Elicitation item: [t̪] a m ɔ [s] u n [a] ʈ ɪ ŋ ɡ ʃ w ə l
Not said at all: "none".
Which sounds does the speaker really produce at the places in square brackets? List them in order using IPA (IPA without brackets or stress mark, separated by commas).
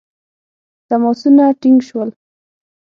t̪, s, a